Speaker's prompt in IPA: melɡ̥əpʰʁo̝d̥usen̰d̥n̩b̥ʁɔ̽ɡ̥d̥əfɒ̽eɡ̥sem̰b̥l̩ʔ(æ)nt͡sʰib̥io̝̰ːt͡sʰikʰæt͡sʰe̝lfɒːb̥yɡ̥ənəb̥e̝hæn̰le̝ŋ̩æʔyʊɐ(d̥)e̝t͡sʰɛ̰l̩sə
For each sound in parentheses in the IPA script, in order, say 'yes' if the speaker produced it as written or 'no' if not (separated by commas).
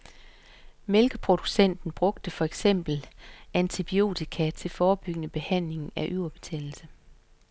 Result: yes, no